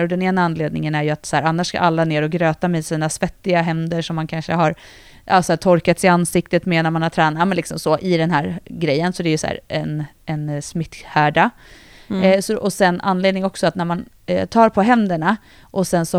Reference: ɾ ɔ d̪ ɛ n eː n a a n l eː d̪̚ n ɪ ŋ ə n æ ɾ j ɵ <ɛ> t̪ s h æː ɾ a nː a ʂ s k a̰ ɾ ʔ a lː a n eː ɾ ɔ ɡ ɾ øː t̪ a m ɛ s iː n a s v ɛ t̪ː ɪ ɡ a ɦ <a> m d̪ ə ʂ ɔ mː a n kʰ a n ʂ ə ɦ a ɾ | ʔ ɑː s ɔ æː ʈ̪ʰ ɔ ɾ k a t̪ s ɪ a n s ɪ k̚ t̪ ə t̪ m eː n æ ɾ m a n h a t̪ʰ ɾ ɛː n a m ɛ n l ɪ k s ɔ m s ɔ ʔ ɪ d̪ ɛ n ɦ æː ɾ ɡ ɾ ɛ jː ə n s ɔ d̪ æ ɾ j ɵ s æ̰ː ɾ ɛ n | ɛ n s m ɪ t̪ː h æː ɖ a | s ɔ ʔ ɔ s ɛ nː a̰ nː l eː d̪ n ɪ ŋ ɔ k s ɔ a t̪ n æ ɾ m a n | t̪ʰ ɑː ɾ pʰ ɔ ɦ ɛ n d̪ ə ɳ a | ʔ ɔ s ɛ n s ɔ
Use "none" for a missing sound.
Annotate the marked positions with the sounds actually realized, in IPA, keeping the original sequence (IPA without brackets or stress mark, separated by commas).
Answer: a, ɛ